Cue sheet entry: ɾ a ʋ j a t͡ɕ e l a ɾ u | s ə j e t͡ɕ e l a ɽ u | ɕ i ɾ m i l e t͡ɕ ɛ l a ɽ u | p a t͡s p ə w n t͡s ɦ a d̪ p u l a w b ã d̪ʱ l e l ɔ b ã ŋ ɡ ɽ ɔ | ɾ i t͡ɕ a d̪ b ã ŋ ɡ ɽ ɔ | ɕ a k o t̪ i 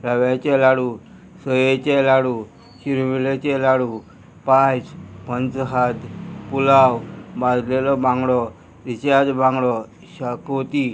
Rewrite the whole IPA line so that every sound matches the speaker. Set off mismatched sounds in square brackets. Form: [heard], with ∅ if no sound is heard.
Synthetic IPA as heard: ɾ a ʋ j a t͡ɕ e l a [ɽ] u | s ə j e t͡ɕ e l a ɽ u | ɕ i ɾ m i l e t͡ɕ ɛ l a ɽ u | p a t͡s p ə [∅] n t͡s ɦ a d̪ p u l a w b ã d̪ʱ l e l ɔ b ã ŋ ɡ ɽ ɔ | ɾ i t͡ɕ a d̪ b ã ŋ ɡ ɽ ɔ | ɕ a k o t̪ i

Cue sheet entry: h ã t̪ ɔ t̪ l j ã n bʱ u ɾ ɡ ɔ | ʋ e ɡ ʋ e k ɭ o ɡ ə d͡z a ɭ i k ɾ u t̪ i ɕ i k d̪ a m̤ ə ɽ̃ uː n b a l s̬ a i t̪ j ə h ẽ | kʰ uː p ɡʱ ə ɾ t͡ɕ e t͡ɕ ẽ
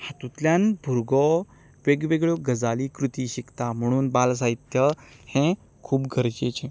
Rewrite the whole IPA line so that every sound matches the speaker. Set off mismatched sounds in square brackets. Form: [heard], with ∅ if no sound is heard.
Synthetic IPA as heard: h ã t̪ [u] t̪ l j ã n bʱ u ɾ ɡ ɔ | ʋ e ɡ ʋ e [ɡ] ɭ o ɡ ə d͡z a [l] i k ɾ u t̪ i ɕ i k [t̪] a m̤ ə ɽ̃ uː n b a l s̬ a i t̪ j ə h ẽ | kʰ uː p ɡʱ ə ɾ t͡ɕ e t͡ɕ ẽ

